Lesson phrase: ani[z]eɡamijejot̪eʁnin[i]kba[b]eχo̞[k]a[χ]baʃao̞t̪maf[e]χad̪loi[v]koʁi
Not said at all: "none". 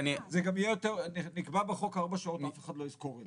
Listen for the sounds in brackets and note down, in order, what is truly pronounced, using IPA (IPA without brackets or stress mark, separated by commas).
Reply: z, i, b, k, ʁ, e, z